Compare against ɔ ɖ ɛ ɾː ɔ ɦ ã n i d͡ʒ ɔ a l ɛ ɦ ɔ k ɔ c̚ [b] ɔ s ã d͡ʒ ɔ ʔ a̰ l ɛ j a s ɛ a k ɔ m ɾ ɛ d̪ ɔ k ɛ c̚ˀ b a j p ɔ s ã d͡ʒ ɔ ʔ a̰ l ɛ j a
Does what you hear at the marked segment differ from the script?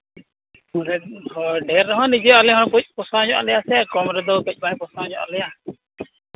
yes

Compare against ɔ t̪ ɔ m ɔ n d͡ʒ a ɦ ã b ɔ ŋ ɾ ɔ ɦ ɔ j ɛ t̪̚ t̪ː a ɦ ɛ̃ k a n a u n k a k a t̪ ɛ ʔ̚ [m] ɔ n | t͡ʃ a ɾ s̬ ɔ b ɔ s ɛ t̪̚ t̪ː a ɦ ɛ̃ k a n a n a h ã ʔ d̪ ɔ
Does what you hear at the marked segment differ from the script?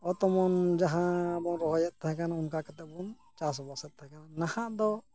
yes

